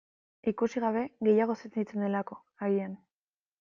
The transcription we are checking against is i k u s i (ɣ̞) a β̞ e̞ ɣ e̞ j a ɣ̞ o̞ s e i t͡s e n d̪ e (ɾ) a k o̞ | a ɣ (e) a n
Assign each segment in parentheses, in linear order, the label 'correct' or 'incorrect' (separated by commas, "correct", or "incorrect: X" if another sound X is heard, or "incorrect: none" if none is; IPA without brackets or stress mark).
correct, incorrect: l, incorrect: i